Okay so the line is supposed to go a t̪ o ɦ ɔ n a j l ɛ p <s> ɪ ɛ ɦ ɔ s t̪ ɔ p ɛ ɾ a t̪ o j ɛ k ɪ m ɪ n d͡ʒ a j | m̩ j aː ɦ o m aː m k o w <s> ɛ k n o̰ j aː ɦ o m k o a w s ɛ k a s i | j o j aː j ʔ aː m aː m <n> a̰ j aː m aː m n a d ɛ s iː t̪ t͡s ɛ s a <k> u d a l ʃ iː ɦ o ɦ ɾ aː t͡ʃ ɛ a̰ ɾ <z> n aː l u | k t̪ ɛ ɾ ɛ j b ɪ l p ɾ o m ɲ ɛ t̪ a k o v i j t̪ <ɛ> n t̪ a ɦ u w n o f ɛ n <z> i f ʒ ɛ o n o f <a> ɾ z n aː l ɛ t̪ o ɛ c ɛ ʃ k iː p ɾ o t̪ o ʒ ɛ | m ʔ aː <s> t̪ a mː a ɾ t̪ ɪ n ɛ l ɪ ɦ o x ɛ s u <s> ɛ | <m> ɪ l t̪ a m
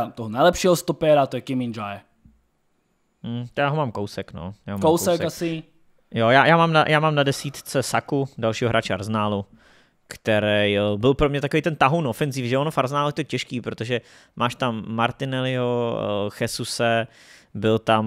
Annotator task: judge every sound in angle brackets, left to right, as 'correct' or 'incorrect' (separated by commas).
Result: incorrect, correct, correct, correct, correct, correct, correct, correct, incorrect, correct, incorrect